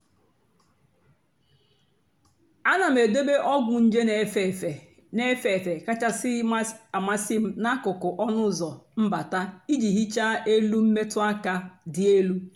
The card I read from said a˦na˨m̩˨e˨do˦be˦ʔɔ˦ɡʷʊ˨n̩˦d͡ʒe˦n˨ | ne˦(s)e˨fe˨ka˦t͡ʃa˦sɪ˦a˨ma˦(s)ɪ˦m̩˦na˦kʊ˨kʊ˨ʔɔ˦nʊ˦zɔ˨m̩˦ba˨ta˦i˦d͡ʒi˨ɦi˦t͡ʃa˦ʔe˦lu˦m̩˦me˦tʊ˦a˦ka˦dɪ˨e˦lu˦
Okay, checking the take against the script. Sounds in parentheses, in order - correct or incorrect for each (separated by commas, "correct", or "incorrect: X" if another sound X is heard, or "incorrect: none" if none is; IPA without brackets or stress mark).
incorrect: f, correct